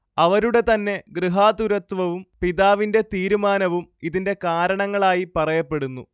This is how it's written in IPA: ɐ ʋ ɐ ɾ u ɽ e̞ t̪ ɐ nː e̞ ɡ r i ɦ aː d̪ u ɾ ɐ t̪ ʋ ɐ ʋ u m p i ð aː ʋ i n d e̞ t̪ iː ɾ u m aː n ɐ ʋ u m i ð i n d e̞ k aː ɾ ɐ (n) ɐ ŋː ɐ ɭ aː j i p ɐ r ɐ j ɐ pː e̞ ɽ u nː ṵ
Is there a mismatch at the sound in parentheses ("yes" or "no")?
yes